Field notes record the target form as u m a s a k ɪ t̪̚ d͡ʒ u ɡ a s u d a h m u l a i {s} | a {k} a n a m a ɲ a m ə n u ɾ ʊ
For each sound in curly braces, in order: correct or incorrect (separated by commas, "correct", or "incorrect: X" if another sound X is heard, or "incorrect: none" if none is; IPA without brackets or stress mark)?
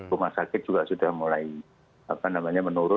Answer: incorrect: none, incorrect: p